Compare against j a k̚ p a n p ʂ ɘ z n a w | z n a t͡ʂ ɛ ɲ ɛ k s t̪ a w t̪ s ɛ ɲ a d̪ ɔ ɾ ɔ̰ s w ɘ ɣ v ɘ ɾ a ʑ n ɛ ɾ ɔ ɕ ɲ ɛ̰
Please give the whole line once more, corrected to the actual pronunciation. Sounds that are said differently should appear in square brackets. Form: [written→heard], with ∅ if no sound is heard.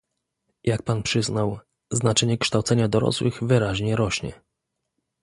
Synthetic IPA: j a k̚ p a n p ʂ ɘ z n a w | z n a t͡ʂ ɛ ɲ ɛ k [s→ʂ] t̪ a w t̪ s ɛ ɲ a d̪ ɔ ɾ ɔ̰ s w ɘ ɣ v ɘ ɾ a ʑ [n→ɲ] ɛ ɾ ɔ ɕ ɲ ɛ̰